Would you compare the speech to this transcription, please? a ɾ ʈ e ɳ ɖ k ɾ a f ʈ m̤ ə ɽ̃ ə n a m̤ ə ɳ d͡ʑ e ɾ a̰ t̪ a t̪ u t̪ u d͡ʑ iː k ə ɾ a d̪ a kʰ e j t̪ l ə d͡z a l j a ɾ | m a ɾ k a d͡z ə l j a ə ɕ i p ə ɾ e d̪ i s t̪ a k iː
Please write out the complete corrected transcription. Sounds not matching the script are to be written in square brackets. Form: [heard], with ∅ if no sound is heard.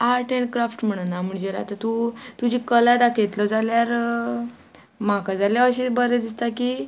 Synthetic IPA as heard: a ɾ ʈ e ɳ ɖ k ɾ a f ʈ m̤ ə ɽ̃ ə n a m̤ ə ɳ d͡ʑ e ɾ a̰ t̪ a t̪ u t̪ u d͡ʑ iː k ə [l] a d̪ a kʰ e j t̪ l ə d͡z a l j a ɾ | m a [∅] k a d͡z [a] l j a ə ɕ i [b] ə ɾ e d̪ i s t̪ a k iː